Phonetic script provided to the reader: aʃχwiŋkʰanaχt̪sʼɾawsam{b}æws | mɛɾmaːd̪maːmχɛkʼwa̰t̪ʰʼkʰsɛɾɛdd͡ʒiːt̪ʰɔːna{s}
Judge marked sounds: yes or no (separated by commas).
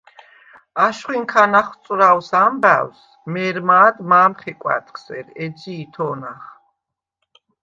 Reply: yes, no